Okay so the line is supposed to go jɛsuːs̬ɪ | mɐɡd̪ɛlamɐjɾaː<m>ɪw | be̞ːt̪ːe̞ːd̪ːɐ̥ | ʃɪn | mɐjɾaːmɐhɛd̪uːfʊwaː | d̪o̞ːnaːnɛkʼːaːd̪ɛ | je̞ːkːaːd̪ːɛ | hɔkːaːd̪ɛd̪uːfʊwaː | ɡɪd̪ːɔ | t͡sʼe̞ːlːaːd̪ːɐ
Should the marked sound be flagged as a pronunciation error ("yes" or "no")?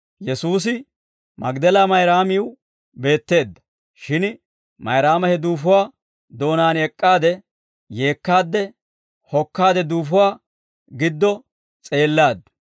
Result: no